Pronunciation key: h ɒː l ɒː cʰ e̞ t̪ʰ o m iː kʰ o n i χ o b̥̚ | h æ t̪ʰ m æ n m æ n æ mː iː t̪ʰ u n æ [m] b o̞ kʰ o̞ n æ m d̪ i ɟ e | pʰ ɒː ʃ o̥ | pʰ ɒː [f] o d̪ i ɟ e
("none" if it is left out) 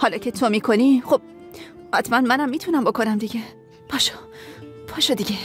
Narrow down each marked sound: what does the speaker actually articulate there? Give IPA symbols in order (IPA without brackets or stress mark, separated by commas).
m, ʃ